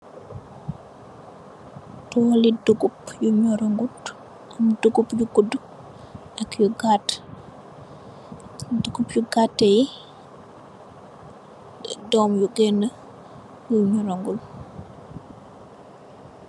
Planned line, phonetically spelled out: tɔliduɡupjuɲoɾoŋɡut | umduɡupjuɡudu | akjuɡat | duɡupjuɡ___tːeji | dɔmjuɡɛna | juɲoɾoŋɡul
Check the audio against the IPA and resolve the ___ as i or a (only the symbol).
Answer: a